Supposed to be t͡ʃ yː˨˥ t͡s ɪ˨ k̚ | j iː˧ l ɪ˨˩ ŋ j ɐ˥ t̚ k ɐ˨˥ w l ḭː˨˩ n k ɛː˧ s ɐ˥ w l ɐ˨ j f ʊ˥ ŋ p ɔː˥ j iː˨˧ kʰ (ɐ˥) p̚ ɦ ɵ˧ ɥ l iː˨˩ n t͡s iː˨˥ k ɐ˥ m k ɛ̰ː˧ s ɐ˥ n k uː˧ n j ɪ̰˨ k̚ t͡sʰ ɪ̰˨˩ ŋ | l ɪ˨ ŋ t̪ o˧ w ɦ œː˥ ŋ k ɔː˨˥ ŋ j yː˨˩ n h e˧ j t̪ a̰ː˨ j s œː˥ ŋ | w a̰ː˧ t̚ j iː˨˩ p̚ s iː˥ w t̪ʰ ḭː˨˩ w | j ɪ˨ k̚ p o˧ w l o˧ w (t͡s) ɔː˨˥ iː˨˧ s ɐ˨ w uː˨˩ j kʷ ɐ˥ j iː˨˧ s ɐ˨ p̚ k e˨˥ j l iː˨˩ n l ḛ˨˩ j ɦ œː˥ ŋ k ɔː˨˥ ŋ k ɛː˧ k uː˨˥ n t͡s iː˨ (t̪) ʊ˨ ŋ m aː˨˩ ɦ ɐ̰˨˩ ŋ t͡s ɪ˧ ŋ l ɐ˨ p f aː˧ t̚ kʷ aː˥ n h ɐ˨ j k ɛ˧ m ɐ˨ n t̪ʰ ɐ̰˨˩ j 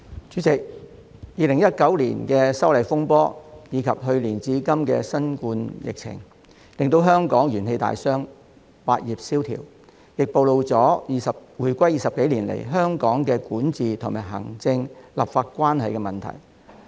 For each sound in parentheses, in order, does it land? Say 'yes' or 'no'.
no, yes, no

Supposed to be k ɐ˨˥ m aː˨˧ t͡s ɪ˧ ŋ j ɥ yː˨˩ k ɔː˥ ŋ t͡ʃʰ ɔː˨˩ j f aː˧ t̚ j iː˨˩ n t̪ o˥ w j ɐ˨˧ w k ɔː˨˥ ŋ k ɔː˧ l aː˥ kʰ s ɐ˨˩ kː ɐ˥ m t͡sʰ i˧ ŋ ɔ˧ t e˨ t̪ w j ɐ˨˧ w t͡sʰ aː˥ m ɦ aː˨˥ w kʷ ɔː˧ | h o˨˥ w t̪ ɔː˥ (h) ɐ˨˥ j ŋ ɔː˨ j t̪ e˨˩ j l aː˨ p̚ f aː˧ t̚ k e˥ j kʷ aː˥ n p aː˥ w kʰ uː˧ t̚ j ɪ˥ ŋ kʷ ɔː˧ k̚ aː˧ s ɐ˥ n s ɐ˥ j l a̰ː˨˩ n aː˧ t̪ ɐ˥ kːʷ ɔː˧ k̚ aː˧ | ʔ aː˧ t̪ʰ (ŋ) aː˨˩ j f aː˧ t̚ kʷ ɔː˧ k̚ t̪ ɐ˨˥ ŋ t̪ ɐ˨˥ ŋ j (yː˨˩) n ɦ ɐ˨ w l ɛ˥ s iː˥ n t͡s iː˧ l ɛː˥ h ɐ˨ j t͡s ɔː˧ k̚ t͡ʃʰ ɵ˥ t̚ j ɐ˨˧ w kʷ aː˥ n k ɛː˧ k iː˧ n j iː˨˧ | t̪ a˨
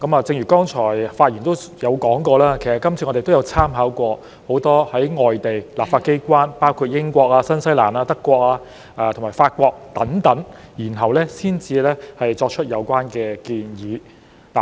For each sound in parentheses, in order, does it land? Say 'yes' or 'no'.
yes, no, no

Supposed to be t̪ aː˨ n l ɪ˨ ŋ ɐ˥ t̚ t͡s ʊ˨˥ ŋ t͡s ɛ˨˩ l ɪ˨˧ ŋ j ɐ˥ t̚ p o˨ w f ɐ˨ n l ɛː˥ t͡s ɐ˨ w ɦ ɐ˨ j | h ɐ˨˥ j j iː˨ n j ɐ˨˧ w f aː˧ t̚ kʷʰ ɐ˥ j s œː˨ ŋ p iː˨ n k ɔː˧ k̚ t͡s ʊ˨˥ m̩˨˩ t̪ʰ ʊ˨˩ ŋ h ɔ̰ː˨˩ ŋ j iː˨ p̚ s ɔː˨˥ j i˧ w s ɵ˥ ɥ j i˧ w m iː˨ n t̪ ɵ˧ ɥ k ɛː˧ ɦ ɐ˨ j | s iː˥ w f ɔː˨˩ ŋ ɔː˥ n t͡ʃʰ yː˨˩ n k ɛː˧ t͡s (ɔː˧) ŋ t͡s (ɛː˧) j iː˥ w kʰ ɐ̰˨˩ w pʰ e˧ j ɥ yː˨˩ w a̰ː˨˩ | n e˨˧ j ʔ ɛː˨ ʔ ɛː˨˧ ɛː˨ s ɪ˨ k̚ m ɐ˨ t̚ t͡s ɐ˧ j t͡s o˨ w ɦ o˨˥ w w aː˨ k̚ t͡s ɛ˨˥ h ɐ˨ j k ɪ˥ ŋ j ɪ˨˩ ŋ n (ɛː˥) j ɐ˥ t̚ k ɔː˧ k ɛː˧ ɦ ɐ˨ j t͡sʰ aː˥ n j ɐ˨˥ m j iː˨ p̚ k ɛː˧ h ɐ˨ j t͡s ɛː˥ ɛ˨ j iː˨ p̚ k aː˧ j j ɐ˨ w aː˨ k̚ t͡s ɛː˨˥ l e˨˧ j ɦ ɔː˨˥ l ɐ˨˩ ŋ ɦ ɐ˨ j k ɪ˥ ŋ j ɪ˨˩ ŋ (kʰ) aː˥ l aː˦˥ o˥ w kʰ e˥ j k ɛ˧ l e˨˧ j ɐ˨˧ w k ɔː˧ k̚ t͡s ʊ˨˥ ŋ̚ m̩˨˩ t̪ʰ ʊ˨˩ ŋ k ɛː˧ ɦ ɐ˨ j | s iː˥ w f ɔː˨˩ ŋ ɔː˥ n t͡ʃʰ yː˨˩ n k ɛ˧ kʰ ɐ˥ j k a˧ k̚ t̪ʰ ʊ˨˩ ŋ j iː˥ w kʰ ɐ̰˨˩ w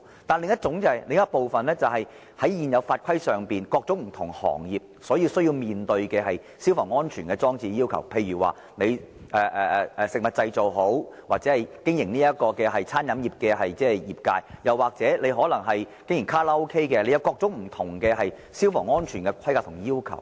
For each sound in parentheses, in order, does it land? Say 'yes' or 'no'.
no, no, no, yes

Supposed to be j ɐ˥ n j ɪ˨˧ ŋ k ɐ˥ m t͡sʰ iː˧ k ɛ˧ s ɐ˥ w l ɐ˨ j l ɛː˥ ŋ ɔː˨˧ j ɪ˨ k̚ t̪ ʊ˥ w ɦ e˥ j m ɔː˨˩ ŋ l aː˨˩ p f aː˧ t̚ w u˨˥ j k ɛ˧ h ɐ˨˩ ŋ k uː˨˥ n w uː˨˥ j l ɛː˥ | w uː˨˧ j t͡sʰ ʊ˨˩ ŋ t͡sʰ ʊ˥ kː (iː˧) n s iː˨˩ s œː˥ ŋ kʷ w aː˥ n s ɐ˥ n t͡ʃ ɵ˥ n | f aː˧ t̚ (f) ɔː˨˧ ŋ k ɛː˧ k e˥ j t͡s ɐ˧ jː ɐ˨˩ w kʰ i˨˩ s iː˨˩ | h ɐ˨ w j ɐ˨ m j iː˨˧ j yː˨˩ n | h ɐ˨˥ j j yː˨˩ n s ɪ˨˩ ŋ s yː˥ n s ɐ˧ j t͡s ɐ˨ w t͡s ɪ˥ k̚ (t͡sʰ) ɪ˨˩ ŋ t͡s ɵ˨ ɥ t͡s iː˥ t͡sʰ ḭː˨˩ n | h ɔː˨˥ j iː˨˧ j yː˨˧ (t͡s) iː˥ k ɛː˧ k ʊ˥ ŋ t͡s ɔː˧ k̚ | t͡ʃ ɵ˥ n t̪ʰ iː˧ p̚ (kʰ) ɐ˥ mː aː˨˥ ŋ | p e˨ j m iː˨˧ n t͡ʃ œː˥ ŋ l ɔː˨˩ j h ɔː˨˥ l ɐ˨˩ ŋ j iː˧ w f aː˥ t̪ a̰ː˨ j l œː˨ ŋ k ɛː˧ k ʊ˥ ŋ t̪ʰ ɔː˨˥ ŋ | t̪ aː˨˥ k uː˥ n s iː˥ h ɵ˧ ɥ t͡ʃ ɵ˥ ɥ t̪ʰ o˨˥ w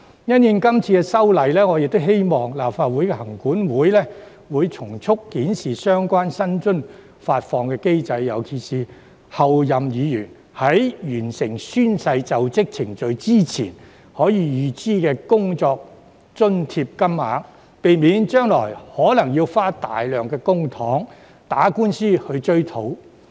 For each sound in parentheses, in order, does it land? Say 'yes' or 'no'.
no, yes, yes, yes, no

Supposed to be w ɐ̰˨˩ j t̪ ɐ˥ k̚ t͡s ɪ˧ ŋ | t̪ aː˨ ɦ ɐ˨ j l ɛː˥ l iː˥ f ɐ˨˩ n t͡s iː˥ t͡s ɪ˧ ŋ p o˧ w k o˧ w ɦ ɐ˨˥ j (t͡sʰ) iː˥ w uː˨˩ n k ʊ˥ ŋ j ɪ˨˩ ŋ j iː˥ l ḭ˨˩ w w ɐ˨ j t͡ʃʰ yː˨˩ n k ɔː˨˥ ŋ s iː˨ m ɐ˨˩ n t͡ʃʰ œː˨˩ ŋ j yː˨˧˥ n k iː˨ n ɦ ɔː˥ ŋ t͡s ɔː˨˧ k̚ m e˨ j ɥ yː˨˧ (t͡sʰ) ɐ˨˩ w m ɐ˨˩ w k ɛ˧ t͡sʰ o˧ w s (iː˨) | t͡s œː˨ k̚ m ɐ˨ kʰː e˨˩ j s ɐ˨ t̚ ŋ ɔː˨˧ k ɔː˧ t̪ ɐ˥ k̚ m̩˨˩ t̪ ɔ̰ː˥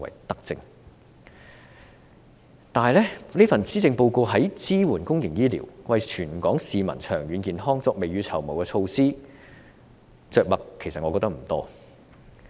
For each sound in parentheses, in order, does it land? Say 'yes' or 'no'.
no, yes, no

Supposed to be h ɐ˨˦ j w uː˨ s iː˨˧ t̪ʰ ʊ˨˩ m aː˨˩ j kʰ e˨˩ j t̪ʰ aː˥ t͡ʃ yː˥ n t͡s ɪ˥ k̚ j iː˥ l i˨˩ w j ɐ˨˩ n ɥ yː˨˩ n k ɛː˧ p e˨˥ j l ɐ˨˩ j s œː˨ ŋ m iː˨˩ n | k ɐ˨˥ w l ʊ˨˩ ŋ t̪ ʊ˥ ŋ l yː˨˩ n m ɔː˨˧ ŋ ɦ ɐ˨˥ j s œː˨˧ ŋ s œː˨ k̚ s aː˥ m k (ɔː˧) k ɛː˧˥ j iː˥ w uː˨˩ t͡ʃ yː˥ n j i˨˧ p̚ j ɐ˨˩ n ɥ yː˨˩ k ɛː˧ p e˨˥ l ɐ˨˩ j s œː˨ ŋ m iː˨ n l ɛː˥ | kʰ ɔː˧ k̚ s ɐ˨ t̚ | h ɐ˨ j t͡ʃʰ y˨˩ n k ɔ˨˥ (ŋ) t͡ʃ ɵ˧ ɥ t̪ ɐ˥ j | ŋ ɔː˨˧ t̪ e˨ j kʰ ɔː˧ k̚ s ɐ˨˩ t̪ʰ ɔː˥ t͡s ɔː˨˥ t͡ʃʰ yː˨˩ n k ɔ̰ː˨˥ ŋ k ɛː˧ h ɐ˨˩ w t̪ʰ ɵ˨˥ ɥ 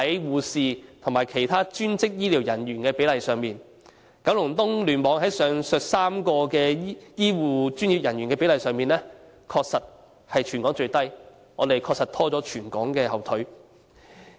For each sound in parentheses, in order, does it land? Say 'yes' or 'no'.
yes, yes

